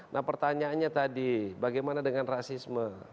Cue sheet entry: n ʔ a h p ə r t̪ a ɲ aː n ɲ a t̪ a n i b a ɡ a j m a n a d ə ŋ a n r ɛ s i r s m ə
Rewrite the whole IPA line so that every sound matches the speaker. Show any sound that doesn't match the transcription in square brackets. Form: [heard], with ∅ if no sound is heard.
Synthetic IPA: n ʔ a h p ə r t̪ a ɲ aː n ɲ a t̪ a [d] i b a ɡ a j m a n a d ə ŋ a n r [a] s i [∅] s m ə